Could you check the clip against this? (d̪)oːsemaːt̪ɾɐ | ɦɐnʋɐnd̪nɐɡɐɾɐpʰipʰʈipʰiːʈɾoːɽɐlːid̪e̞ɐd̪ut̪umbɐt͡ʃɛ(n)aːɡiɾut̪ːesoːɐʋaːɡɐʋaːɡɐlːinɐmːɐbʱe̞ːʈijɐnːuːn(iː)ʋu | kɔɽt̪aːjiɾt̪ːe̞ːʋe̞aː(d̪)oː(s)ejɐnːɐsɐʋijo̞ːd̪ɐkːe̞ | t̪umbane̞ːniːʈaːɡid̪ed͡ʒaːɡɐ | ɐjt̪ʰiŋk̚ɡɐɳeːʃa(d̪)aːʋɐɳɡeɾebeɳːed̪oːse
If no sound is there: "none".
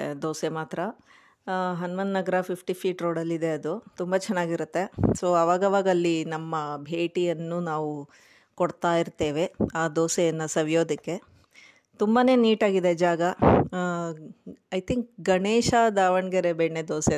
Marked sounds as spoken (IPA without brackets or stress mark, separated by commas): d̪, nː, aː, d̪, s, d̪